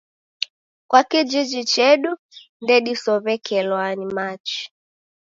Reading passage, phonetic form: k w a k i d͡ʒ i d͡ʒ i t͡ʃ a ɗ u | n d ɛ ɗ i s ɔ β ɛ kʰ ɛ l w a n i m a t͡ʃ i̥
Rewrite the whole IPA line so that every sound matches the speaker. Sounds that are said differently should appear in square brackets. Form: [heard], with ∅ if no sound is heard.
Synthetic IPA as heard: k w a k i d͡ʒ i d͡ʒ i t͡ʃ [ɛ] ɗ u | n d ɛ ɗ i s ɔ β ɛ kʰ ɛ l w a n i m a t͡ʃ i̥

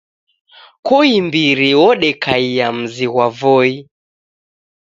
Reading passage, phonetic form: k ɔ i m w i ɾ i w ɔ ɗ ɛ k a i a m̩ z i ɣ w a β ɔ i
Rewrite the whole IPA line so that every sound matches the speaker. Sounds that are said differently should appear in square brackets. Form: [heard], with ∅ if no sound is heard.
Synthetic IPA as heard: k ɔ i m [b] i ɾ i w ɔ ɗ ɛ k a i a m̩ z i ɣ w a [v] ɔ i

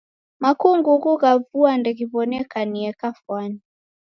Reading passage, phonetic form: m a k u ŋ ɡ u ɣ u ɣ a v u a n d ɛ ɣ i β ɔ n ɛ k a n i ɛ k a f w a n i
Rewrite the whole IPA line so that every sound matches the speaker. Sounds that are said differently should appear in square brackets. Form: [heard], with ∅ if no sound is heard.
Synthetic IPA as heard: m a k u ŋ ɡ u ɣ u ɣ a v u a n d ɛ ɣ i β ɔ n ɛ k a n i ɛ k a f w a n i

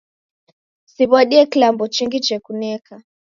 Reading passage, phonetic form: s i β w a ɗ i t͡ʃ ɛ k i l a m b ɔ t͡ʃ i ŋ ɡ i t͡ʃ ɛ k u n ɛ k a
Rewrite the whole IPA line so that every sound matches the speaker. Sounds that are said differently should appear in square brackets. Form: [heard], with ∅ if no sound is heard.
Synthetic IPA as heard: s i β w a ɗ i [∅] ɛ k i l a m b ɔ t͡ʃ i ŋ ɡ i t͡ʃ ɛ k u n ɛ k a

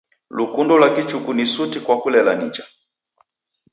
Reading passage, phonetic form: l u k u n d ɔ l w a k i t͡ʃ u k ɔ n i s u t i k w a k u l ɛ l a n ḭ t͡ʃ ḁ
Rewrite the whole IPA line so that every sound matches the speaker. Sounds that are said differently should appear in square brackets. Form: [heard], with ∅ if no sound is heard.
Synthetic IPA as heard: l u k u n d ɔ l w a k i t͡ʃ u k [u] n i s u t i k w a k u l ɛ l a n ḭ t͡ʃ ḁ

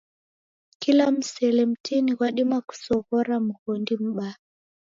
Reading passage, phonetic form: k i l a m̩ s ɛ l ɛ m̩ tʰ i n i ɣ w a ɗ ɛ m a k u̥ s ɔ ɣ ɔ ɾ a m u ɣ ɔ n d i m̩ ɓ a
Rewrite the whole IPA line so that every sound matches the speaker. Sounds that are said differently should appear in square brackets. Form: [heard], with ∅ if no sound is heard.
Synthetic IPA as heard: k i l a m̩ s ɛ l ɛ m̩ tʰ i n i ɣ w a ɗ [i] m a k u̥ s ɔ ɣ ɔ ɾ a m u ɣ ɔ n d i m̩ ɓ a

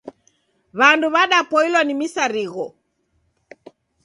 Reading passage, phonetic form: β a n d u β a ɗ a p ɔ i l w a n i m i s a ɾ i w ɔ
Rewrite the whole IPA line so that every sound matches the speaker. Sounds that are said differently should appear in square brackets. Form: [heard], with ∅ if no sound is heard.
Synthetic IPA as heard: β a n d u β a ɗ a p ɔ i l w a n i m i s a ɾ i [ɣ] ɔ

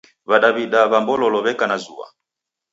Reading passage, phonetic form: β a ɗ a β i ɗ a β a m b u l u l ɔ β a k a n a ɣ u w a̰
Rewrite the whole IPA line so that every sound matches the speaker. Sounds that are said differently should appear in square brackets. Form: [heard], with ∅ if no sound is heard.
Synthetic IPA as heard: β a ɗ a β i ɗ a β a m b [ɔ] l [ɔ] l ɔ β [ɛ] k a n a [z] u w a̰

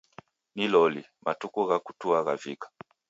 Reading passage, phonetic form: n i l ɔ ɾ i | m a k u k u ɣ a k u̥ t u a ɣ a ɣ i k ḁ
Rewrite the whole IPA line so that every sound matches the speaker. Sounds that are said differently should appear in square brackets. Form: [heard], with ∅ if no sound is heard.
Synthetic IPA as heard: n i l ɔ [l] i | m a [t] u k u ɣ a k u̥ t u a ɣ a [v] i k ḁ

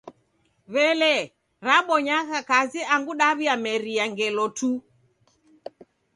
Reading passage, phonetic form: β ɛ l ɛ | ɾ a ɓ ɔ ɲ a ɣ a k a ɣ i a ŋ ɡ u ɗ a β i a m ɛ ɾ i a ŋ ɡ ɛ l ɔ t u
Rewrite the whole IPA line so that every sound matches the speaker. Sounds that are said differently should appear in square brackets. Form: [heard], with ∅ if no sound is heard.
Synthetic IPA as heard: β ɛ l ɛ | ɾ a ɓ ɔ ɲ a ɣ a k a [z] i a ŋ ɡ u ɗ a β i a m ɛ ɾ i a ŋ ɡ ɛ l ɔ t u

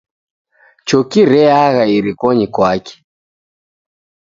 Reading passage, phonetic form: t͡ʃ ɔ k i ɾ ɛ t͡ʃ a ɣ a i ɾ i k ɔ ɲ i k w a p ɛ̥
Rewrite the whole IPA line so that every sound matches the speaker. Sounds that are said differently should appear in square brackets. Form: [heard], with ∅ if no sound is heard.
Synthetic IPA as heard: t͡ʃ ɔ k i ɾ ɛ [∅] a ɣ a i ɾ i k ɔ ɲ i k w a [k] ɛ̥

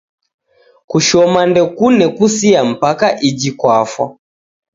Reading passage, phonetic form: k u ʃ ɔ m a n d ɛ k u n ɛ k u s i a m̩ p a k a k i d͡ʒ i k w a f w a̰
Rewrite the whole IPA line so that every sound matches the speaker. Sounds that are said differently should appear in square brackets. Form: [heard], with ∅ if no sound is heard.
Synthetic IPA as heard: k u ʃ ɔ m a n d ɛ k u n ɛ k u s i a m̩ p a k a [ʔ] i d͡ʒ i k w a f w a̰

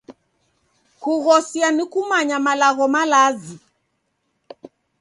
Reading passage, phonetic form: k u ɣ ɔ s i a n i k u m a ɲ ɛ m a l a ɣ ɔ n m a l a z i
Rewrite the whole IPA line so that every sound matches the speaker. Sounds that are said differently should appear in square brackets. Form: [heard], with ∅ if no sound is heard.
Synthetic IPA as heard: k u ɣ ɔ s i a n i k u m a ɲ [a] m a l a ɣ ɔ [∅] m a l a z i

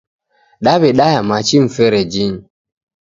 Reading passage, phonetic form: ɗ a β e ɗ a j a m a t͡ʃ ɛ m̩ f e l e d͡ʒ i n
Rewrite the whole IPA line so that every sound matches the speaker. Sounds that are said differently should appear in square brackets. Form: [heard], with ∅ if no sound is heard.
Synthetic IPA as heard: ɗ a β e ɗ a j a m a t͡ʃ [i] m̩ f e [ɾ] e d͡ʒ i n

